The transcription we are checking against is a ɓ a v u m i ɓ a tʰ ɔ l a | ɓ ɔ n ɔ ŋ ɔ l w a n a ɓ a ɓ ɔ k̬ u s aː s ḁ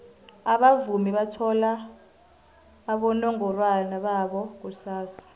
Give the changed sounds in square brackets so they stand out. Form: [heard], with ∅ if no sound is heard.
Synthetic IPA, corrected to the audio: a ɓ a v u m i ɓ a tʰ ɔ l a | ɓ ɔ n ɔ ŋ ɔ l w a n a ɓ a ɓ ɔ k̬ u s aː s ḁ